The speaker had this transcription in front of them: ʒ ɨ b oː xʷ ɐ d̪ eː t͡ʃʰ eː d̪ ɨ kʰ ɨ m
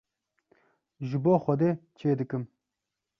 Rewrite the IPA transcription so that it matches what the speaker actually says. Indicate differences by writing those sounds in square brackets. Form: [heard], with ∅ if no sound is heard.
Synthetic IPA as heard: ʒ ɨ b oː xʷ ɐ d̪ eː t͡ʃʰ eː d̪ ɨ [k] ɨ m